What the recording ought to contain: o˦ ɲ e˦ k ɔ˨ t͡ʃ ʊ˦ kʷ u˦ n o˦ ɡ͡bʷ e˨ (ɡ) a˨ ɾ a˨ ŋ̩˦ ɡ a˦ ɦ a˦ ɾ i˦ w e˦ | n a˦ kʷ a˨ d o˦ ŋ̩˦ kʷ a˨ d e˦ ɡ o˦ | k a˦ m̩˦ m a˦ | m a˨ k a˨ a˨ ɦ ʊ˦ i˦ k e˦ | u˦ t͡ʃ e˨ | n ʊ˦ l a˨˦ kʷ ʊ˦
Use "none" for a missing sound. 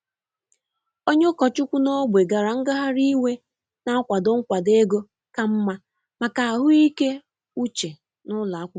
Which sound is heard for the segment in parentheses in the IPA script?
ɡ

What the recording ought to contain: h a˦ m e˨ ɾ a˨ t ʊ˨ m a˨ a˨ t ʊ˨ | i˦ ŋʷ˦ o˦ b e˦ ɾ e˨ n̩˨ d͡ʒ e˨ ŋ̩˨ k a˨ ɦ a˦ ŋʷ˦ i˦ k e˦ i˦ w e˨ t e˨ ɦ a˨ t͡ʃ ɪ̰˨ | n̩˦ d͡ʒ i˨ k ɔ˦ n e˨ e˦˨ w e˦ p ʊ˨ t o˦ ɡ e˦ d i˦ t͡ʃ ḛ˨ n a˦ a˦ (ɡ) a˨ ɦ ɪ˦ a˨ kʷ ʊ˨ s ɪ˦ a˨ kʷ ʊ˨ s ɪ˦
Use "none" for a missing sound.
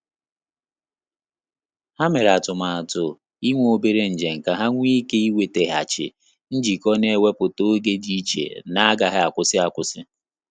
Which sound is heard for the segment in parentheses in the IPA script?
ɡ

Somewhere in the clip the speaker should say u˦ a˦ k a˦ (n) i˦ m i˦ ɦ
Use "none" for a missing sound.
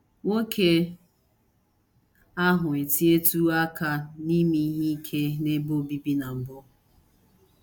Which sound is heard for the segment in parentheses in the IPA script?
n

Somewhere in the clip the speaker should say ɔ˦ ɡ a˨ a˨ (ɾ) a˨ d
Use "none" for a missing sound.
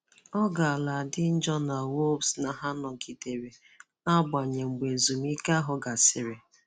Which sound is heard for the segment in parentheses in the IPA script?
l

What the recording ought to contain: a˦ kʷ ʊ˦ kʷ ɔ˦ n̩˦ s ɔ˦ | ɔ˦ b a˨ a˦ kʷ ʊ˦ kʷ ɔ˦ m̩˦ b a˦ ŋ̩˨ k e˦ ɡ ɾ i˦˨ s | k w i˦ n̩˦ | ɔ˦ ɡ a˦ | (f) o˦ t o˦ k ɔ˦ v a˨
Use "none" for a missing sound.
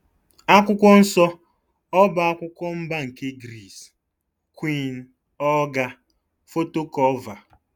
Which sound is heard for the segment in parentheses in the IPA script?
f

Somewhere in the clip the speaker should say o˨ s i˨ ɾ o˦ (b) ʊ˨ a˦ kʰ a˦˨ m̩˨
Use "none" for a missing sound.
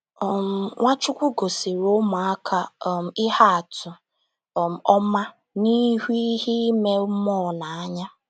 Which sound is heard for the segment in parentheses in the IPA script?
m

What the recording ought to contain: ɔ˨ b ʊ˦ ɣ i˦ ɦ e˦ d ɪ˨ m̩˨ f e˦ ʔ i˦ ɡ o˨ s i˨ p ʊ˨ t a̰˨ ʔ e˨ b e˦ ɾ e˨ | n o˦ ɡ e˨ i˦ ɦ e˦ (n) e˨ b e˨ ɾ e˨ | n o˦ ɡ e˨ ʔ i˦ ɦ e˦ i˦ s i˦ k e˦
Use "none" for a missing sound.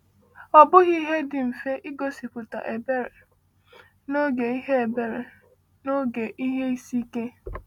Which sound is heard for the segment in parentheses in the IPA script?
none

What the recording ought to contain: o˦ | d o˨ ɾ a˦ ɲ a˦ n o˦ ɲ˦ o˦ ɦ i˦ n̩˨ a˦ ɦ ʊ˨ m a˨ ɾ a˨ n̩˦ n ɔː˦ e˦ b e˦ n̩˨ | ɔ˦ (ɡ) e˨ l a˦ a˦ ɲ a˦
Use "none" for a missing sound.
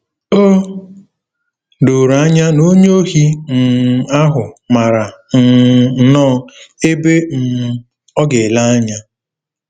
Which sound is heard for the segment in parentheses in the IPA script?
ɡ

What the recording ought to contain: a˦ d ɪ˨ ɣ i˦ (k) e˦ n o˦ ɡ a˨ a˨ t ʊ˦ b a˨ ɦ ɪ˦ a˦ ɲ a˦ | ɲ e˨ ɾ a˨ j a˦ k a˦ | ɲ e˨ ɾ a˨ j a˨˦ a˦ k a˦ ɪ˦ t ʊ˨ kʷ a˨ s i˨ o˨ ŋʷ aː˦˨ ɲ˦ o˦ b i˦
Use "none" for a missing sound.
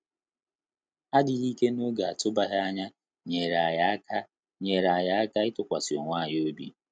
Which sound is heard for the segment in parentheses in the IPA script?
k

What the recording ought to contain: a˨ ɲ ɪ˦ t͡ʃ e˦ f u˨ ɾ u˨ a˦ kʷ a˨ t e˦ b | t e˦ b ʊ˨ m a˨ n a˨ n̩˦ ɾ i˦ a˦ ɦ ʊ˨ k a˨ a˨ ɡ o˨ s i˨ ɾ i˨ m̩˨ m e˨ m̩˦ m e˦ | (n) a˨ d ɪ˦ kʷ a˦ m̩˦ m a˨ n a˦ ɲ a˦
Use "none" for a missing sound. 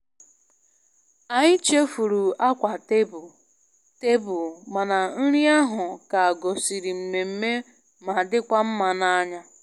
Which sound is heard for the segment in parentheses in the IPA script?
m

